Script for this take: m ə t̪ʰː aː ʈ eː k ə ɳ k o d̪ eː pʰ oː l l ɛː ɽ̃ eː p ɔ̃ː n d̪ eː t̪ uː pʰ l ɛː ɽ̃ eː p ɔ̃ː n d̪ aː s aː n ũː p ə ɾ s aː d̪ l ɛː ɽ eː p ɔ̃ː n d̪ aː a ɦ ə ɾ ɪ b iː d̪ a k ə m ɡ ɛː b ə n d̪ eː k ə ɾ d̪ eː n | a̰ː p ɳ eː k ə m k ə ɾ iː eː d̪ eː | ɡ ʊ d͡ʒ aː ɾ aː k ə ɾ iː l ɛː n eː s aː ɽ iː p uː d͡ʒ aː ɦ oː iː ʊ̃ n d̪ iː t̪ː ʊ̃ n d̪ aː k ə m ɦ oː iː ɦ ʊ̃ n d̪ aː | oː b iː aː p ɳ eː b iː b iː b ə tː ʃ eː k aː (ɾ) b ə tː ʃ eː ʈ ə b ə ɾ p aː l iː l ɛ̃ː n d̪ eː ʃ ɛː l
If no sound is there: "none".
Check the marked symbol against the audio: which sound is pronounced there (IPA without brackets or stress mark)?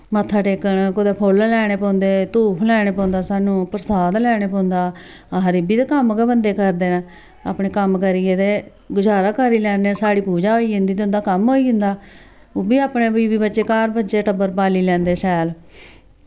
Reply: ɾ